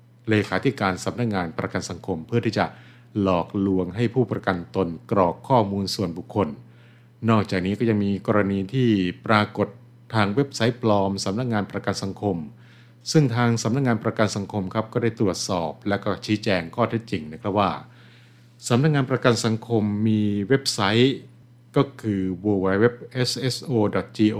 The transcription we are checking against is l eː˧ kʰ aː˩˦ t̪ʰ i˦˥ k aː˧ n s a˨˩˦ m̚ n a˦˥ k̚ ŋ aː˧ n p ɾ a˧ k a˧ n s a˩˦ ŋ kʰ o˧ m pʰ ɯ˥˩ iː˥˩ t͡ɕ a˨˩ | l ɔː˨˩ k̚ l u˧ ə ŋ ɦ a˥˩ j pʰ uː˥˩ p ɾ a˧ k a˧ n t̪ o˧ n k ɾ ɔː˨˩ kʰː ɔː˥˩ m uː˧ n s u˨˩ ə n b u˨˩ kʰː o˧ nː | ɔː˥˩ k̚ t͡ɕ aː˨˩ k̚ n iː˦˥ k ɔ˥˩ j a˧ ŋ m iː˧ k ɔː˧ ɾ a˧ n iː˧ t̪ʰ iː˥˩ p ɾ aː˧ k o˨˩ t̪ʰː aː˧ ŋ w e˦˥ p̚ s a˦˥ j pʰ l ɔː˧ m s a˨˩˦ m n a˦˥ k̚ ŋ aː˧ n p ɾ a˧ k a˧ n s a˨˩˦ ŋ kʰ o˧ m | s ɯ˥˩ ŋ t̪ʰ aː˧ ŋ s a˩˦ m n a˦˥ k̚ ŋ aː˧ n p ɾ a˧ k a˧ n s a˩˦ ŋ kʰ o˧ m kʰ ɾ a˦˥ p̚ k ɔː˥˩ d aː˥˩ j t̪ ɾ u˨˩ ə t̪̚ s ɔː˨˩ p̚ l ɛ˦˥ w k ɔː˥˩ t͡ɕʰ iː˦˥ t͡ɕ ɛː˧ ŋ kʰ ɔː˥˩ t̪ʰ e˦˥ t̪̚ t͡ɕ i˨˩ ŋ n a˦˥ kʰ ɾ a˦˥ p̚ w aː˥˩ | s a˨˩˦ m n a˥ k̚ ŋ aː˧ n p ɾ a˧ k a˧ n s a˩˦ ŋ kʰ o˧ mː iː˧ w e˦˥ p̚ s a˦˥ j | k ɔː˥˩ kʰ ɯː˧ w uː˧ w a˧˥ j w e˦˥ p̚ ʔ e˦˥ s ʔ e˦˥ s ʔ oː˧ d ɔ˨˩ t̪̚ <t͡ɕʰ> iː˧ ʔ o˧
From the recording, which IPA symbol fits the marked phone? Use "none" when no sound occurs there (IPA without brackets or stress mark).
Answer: t͡ɕ